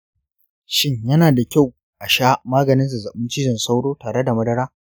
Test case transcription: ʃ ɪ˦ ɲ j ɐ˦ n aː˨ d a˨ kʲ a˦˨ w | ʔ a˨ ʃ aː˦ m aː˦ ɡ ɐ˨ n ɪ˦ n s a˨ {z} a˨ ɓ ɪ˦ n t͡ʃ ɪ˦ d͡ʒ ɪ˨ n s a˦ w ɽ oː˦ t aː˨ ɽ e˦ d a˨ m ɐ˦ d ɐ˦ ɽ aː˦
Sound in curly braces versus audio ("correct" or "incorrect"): correct